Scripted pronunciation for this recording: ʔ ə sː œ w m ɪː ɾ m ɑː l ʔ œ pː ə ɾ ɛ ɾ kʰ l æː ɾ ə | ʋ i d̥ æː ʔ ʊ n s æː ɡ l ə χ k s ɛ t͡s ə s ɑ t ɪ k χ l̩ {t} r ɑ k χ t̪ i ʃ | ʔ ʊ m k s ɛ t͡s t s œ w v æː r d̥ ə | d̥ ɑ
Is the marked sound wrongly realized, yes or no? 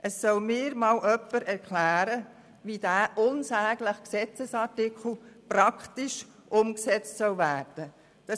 yes